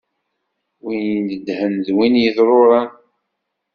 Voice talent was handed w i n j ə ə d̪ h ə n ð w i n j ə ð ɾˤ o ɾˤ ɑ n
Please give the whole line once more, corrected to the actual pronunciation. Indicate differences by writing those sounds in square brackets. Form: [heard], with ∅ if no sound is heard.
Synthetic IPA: w i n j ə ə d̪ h ə n ð w i n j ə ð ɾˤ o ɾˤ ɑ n